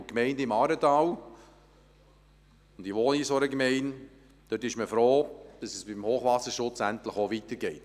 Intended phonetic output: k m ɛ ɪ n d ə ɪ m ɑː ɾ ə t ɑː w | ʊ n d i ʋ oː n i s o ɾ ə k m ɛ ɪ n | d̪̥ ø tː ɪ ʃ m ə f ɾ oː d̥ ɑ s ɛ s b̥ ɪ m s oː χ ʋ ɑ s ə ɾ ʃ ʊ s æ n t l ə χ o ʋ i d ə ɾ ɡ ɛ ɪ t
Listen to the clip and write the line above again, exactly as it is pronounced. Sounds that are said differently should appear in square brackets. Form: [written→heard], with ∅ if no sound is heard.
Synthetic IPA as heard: k m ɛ ɪ n d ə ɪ m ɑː ɾ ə t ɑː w | ʊ n d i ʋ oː n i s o ɾ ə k m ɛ ɪ n | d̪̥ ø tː ɪ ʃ m ə f ɾ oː d̥ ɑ s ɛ s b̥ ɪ m [s→h] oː χ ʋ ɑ s ə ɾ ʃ ʊ [s→t͡s] æ n t l ə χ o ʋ i [d→t] ə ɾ ɡ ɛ ɪ t

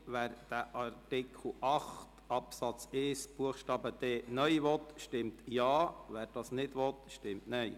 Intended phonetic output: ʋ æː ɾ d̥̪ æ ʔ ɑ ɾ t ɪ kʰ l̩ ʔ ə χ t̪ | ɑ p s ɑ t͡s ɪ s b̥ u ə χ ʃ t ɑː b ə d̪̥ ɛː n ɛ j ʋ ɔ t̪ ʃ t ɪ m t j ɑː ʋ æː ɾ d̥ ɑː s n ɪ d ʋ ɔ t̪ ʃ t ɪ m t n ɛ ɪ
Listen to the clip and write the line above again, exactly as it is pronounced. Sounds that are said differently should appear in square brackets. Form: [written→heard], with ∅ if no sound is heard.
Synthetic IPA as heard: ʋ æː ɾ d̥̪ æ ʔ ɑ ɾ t ɪ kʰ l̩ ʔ [ə→ɑ] χ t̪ | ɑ p s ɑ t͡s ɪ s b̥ u ə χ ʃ t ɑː b ə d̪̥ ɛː n [ɛ→œ] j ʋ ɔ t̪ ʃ t ɪ m t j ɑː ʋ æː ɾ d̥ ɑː s n ɪ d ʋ ɔ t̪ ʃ t ɪ m t n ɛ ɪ

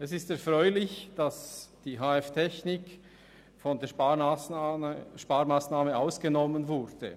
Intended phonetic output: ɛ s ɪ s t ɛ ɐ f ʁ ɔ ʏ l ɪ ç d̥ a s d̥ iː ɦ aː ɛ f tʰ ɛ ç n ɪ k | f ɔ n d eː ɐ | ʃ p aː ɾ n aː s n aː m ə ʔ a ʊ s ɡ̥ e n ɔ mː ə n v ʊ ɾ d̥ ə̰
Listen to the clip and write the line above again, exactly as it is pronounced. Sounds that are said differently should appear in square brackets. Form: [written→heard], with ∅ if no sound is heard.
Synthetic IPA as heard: ɛ s ɪ s t ɛ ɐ f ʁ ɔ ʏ l ɪ ç d̥ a s d̥ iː ɦ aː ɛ f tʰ ɛ ç n ɪ k | f ɔ n d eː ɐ | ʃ p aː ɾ [n→m] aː s n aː m ə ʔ a ʊ s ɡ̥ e n ɔ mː ə n v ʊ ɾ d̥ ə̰

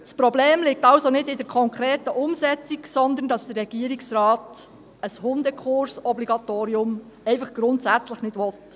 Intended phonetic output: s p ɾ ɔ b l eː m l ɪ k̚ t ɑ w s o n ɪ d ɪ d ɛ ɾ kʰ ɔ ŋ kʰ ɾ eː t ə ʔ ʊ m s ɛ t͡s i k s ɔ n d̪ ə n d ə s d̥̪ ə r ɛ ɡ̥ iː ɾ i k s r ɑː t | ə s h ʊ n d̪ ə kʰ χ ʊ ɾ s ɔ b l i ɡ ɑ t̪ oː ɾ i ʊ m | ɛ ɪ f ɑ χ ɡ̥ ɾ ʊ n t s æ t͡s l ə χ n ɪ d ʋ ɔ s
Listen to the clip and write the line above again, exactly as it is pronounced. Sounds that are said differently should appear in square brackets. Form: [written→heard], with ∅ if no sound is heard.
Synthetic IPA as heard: s p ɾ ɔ b l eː m l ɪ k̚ t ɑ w s o n ɪ d ɪ d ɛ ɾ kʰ ɔ ŋ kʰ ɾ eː t ə ʔ ʊ m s ɛ t͡s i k s ɔ n d̪ ə n d [ə→ɑ] s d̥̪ ə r ɛ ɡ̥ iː ɾ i k s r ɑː t | ə s h ʊ n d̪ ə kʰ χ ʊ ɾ s ɔ b l i ɡ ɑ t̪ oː ɾ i ʊ m | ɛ ɪ f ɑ χ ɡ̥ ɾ ʊ n t s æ t͡s l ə χ n ɪ d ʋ ɔ [s→t]

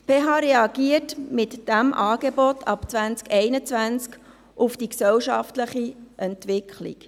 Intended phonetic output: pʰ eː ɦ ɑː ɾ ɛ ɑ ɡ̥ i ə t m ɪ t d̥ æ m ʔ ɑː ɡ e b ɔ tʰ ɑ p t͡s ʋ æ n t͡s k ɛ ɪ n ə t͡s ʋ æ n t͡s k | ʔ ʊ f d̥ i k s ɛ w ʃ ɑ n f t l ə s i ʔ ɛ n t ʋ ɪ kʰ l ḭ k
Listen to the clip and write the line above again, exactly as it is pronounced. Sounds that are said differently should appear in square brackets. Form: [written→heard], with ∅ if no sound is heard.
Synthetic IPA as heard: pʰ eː ɦ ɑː ɾ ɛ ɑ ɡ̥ i ə t m ɪ t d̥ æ m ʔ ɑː ɡ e b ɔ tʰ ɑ p t͡s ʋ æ n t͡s k ɛ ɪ n ə t͡s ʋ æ n t͡s k | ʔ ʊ f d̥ i k s ɛ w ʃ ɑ [n→∅] f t l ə [s→χ] i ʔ ɛ n t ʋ ɪ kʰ l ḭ k

